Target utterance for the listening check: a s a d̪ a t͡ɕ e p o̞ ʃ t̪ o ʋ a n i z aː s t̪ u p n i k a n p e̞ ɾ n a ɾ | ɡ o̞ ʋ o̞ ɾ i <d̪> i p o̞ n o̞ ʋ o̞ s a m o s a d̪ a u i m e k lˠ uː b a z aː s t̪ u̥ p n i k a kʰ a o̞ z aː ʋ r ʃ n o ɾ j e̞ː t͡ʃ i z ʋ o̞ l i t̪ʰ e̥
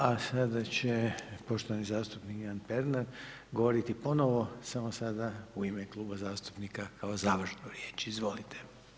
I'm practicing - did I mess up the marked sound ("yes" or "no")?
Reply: yes